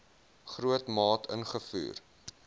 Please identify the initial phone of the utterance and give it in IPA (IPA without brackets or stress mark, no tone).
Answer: χ